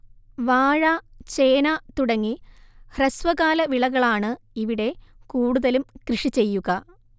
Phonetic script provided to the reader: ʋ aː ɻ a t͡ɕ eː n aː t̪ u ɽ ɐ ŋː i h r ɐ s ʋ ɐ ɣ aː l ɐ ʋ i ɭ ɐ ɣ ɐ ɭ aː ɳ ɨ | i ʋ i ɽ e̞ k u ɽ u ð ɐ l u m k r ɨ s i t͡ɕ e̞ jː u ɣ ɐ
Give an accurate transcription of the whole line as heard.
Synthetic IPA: ʋ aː ɻ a t͡ɕ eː n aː t̪ u ɽ ɐ ŋː i h r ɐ s ʋ ɐ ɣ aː l ɐ ʋ i ɭ ɐ ɣ ɐ ɭ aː ɳ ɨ | i ʋ i ɽ e̞ k uː ɽ u ð ɐ l u m k r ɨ ʂ i t͡ɕ e̞ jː u ɣ ɐ